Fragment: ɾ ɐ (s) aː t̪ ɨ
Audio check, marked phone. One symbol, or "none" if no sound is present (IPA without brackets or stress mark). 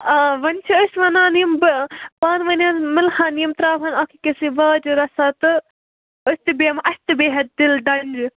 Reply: s